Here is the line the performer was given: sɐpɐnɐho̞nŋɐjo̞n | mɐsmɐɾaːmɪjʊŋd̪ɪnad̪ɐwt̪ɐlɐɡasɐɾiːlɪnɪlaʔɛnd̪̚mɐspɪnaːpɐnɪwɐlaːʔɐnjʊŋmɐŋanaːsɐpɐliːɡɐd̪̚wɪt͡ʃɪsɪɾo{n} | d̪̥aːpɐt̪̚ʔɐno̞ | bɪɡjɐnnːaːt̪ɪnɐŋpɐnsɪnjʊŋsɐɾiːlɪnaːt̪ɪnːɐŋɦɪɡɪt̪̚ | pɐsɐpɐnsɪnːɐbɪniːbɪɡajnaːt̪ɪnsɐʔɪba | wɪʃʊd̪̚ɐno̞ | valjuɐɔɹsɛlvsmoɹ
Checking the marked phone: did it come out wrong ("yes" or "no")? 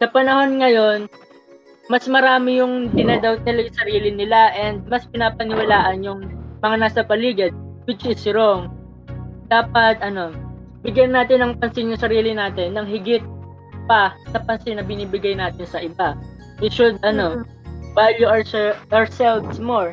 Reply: yes